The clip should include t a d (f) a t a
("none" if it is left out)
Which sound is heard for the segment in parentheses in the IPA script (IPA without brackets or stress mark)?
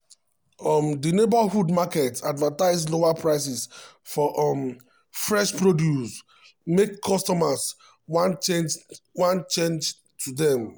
v